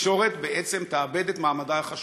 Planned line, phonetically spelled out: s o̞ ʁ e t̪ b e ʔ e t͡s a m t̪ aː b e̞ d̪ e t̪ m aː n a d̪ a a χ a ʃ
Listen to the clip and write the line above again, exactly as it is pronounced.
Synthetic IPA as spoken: ʃ o̞ ʁ e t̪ b e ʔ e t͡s e m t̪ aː b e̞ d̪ e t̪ m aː m a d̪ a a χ a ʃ

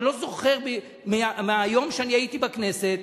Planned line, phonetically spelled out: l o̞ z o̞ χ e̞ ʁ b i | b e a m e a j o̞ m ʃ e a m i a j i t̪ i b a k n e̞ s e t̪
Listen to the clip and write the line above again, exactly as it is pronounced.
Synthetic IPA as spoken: l o̞ z o̞ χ e̞ ʁ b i | m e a m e a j o̞ m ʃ e a n i a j i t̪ i b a k n e̞ s e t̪

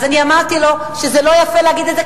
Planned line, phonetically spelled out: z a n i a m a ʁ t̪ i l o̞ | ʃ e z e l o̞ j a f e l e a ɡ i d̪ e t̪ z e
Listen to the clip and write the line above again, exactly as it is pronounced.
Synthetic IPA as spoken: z a n i a m a ʁ t̪ i l o̞ | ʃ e z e l o̞ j a f e l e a ɡ i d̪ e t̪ z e

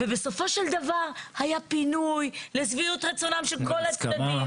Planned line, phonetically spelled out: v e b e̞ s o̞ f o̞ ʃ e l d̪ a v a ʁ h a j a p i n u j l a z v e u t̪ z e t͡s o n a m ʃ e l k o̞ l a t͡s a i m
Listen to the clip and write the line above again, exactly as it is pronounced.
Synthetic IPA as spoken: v e b e̞ s o̞ f o̞ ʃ e l d̪ a v a ʁ h a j a p i n u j l e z v i u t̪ ʁ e t͡s o n a m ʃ e l k o̞ l a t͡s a i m

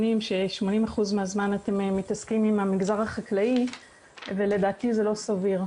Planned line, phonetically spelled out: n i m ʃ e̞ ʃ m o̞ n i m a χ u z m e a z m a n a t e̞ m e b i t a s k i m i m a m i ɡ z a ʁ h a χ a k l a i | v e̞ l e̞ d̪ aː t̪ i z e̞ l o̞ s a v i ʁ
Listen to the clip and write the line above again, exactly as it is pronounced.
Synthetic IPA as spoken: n i m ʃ e̞ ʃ m o̞ n i m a χ u z m e a z m a n a t e̞ m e m i t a s k i m i m a m i ɡ z a ʁ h a χ a k l a i | v e̞ l e̞ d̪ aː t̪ i z e̞ l o̞ s a v i ʁ

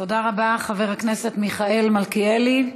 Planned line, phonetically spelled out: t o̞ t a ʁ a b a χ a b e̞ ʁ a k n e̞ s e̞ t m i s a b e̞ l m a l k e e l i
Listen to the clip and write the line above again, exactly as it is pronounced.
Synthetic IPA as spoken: t o̞ d a ʁ a b a χ a v e̞ ʁ a k n e̞ s e̞ t m i χ a e̞ l m a l k i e l i

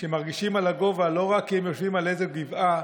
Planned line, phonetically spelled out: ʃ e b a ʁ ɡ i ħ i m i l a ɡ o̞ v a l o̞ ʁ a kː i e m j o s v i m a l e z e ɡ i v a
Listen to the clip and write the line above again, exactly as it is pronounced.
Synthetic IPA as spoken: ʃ e m a ʁ ɡ i ʃ i m a l a ɡ o̞ v a l o̞ ʁ a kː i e m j o ʃ v i m a l e z e ɡ i v a

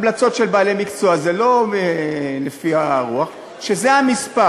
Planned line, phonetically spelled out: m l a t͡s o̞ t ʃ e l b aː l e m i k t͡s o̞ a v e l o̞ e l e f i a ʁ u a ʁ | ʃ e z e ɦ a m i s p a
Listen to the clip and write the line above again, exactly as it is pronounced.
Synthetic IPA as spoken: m l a t͡s o̞ t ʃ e l b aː l e m i k t͡s o̞ a z e l o̞ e l e f i a ʁ u a χ | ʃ e z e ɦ a m i s p a

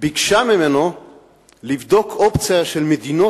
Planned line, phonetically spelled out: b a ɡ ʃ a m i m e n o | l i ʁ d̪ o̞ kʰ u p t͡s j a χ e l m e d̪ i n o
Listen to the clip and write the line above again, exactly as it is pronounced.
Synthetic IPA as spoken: b i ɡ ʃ a m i m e n o | l i v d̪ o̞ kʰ o p t͡s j a ʃ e l m e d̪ i n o

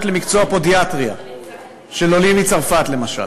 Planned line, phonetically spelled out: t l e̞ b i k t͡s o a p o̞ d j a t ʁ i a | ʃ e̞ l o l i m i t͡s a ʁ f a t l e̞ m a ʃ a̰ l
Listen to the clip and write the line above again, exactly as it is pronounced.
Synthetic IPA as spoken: t l e̞ m i k t͡s o a p o̞ d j a t ʁ i a | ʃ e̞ l o l i m i t͡s a ʁ f a t l e̞ m a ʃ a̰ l

